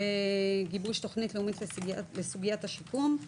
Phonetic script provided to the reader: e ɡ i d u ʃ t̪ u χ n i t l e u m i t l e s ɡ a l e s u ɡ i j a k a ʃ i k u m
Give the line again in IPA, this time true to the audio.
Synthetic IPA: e ɡ i b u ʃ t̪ o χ n i t l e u m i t l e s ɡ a l e s u ɡ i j a t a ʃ i k u m

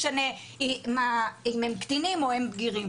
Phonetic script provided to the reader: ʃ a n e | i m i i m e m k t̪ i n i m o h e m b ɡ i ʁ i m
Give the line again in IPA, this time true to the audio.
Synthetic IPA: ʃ a n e | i m a i m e m k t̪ i n i m o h e m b ɡ i ʁ i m

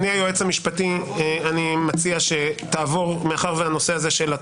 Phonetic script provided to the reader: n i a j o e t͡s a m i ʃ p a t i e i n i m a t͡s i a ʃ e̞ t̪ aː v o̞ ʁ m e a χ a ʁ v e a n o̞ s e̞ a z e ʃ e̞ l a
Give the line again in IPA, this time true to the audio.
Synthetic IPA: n i a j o e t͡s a m i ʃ p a t i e a n i m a t͡s i a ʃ e̞ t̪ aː v o̞ ʁ m e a χ a ʁ v e a n o̞ s e̞ a z e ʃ e̞ l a

